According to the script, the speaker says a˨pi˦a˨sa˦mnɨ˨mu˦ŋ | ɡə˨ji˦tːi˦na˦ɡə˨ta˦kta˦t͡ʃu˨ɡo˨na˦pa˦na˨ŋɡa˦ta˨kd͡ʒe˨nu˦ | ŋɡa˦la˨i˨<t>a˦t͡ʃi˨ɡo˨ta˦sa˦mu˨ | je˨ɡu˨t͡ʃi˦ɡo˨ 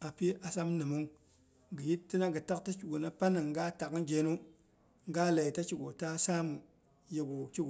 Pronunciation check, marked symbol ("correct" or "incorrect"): correct